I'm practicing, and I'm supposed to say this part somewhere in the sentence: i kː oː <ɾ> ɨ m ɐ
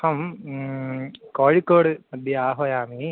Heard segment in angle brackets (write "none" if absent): ɽ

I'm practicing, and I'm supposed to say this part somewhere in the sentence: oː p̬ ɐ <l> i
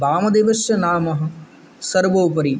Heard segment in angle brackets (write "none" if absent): ɾ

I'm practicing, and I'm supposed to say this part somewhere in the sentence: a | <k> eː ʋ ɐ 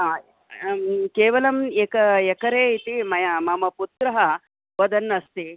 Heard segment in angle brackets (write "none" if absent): k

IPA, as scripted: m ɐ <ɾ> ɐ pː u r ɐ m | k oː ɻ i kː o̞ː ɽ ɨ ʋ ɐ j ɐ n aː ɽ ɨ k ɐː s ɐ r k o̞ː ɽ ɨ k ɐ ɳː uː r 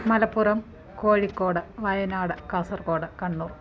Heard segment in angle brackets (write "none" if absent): l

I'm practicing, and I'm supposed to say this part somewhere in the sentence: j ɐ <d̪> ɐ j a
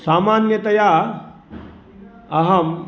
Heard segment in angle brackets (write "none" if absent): t̪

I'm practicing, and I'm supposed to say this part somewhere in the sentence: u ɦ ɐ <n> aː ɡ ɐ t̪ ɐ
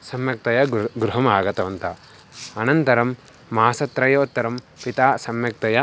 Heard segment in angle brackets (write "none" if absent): m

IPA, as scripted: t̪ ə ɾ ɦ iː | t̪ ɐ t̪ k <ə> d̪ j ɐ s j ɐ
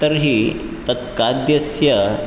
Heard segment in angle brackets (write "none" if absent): a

